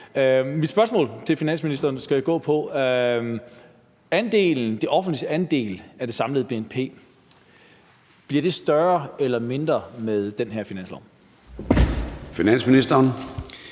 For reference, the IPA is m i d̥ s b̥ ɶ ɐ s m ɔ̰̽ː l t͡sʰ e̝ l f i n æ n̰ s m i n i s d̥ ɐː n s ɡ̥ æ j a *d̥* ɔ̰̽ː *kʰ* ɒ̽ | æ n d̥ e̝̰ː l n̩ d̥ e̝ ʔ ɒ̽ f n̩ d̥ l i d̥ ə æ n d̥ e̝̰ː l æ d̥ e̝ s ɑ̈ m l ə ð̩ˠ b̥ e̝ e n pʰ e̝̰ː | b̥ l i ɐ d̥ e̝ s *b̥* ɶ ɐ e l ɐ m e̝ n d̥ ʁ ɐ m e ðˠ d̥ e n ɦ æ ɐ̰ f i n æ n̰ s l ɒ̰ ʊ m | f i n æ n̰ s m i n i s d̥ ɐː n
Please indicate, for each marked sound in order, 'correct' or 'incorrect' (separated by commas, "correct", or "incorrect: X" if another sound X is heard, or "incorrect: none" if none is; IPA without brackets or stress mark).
incorrect: ɡ̥, incorrect: pʰ, incorrect: d̥